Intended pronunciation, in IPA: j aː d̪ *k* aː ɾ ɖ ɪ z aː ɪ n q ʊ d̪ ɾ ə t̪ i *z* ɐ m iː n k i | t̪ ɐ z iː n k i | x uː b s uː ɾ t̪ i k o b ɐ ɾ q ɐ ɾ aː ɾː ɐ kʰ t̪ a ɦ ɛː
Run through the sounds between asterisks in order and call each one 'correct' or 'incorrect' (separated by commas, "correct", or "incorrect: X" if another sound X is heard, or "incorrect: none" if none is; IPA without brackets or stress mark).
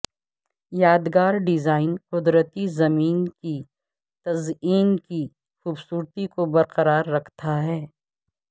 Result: incorrect: ɡ, correct